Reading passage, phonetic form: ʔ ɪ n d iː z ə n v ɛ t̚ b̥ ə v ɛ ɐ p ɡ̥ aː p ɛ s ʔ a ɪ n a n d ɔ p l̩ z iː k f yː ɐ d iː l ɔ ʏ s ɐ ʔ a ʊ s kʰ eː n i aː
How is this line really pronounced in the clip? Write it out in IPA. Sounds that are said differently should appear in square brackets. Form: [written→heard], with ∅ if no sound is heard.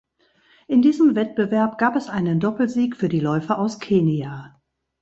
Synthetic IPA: ʔ ɪ n d iː z ə [n→m] v ɛ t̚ b̥ ə v ɛ ɐ p ɡ̥ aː p ɛ s ʔ a ɪ n [a→ə] n d ɔ p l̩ z iː k f yː ɐ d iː l ɔ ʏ [s→f] ɐ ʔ a ʊ s kʰ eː n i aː